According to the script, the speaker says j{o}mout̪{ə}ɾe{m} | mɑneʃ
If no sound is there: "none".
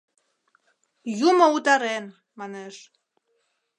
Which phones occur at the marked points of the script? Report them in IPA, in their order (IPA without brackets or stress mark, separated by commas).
u, ɑ, n